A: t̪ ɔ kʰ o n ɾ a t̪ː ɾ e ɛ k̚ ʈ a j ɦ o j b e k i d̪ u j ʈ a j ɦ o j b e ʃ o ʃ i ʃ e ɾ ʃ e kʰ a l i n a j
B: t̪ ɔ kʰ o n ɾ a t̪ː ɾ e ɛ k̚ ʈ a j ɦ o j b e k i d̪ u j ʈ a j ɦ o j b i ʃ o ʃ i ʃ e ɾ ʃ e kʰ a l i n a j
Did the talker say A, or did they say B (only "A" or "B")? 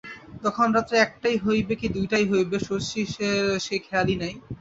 A